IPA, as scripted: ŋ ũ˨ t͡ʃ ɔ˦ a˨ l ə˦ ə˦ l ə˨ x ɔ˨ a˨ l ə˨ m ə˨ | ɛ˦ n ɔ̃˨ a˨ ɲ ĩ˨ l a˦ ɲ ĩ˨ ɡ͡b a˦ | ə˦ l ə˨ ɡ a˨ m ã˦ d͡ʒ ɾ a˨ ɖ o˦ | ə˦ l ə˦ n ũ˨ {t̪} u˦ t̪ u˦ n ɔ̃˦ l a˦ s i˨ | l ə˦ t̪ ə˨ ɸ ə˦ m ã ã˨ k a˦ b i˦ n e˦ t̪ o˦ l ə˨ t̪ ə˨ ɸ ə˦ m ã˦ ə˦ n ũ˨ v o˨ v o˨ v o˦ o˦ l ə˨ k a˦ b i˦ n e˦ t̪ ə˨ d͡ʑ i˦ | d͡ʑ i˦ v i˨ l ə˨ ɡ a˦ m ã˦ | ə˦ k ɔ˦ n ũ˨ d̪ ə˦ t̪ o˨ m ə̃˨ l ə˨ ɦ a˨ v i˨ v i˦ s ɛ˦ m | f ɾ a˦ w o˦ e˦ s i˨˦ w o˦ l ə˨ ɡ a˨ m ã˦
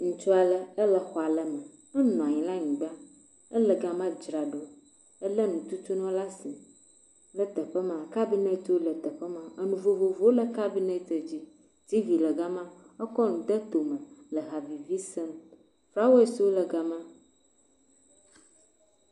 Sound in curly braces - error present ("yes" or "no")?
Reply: no